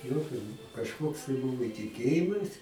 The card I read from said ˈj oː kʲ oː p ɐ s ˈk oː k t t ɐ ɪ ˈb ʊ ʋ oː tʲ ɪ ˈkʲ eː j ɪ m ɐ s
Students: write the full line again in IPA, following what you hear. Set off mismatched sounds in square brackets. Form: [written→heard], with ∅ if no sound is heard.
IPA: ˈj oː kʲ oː [p→k] ɐ [s→ʃ] ˈk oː k [t→s] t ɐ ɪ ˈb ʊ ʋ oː tʲ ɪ ˈkʲ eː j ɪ m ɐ s